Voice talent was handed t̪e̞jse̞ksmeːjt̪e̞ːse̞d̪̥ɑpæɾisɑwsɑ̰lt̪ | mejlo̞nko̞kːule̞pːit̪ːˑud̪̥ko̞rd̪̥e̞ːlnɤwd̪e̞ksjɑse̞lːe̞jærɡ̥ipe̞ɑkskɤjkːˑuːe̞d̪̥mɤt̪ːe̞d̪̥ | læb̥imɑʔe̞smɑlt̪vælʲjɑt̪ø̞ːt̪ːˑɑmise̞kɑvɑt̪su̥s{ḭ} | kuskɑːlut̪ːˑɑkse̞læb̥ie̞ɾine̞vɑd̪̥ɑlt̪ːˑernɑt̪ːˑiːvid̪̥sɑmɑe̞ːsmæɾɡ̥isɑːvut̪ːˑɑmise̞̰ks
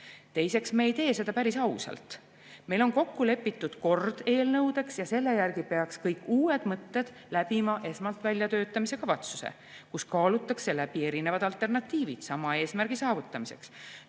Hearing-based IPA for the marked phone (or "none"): ḛ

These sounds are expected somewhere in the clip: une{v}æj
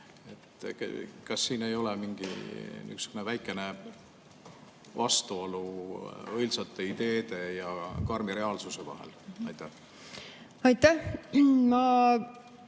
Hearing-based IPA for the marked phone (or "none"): v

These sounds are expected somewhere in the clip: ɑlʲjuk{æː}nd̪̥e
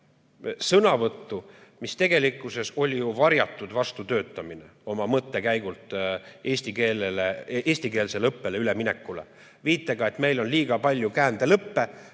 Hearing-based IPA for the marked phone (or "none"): æː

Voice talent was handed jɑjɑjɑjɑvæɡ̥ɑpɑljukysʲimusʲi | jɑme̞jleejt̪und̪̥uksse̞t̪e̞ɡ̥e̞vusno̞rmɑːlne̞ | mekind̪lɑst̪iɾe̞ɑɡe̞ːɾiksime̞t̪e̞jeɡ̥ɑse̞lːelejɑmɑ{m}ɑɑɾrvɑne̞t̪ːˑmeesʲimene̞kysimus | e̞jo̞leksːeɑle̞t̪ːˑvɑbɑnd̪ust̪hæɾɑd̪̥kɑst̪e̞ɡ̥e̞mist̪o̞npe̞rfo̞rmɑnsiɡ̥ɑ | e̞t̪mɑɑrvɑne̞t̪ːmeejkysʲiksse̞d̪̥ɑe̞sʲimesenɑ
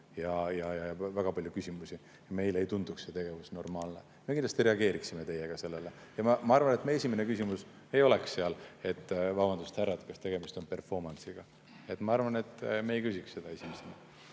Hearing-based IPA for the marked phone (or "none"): m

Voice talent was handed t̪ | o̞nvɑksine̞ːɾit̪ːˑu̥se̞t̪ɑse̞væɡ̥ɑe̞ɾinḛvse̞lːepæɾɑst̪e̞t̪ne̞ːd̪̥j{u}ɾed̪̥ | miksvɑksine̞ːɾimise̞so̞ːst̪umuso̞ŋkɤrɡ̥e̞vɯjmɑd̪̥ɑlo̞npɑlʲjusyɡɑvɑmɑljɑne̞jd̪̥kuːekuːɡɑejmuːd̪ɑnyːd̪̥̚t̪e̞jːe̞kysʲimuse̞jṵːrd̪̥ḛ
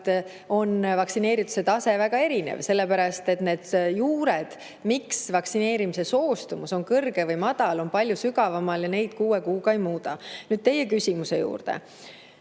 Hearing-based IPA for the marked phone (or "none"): uː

